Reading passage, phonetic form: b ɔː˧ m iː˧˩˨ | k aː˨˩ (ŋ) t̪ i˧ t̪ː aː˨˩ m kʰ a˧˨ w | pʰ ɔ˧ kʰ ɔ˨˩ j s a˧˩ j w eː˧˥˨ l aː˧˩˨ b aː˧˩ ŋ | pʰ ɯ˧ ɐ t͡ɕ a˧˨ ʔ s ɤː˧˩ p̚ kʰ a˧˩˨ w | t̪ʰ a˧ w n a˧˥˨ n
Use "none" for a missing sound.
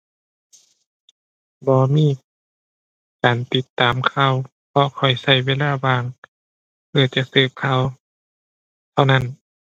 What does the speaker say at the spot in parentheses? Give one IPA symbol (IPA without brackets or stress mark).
n